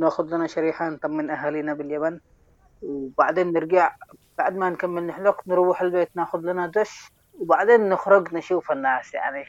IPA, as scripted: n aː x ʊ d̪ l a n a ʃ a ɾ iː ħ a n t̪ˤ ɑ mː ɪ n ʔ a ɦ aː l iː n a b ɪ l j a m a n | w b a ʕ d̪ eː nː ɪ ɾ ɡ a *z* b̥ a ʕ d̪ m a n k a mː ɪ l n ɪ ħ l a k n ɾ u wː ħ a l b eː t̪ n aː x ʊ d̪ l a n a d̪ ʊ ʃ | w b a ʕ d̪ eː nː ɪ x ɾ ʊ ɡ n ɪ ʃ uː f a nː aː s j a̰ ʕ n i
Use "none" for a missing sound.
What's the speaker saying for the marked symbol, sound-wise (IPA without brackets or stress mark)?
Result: ʕ